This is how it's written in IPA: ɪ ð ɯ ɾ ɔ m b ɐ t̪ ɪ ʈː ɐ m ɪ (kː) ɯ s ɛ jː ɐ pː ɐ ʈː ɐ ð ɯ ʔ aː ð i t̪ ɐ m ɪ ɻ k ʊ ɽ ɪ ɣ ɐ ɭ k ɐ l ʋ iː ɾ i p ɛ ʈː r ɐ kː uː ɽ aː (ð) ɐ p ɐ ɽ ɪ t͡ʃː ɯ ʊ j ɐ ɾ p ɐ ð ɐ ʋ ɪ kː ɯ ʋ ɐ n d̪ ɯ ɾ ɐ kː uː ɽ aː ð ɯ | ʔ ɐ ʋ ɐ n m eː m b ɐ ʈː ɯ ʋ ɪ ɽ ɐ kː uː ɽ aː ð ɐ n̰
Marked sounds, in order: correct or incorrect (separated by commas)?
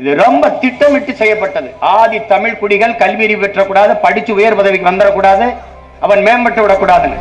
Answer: incorrect, correct